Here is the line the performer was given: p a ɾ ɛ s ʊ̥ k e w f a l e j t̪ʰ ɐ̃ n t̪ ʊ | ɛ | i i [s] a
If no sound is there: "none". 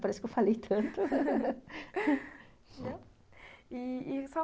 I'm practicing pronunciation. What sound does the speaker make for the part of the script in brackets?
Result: s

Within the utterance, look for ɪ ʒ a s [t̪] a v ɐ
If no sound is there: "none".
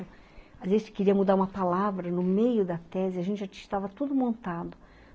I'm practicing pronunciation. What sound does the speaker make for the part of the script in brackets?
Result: t̪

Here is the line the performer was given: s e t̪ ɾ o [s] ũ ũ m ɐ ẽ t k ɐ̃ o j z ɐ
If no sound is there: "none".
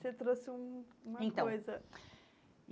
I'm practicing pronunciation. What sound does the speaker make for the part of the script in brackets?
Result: s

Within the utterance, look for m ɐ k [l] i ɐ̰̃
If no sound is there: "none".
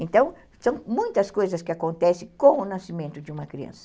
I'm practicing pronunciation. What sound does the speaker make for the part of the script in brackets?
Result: ɾ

